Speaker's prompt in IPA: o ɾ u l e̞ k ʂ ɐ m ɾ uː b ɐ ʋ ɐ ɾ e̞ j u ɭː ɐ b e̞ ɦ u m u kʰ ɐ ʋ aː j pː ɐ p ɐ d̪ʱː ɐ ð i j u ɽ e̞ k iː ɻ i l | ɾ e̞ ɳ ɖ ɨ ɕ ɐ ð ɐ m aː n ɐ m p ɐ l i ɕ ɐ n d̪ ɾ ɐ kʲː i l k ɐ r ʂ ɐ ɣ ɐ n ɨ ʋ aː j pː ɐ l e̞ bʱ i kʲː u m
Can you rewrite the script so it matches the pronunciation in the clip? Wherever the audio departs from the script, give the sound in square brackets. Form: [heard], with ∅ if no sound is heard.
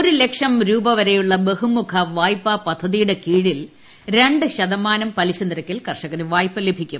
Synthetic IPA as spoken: o ɾ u l e̞ k ʂ ɐ m ɾ uː b ɐ ʋ ɐ ɾ e̞ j u ɭː ɐ b e̞ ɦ u m u kʰ ɐ ʋ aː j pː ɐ p ɐ d̪ʱː ɐ ð i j u ɽ e̞ k iː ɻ i l | ɾ e̞ ɳ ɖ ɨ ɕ ɐ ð ɐ m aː n ɐ m p ɐ l i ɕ ɐ n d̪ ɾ ɐ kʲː i l k ɐ r ʂ ɐ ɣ ɐ n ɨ ʋ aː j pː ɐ l e̞ bʱ i kʲː u m